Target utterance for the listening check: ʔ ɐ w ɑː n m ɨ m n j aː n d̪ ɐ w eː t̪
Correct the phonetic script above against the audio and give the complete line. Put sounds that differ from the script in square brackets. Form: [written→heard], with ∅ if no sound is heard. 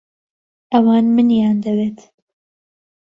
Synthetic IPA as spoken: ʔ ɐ w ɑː n m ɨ [m→∅] n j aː n d̪ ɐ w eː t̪